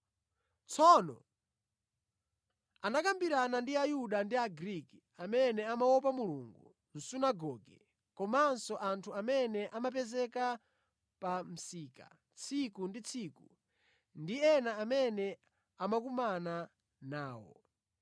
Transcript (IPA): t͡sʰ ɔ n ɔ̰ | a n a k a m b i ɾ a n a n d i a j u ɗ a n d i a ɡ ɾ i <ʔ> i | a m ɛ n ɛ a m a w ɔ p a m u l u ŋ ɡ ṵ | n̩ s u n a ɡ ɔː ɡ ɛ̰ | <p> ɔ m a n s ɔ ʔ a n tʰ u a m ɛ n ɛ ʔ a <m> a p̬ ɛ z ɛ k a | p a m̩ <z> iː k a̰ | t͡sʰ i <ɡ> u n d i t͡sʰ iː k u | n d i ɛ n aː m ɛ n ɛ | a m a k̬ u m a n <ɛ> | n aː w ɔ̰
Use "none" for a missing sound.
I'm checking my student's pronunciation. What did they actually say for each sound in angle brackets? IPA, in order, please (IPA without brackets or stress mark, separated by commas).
k, k, m, s, k, a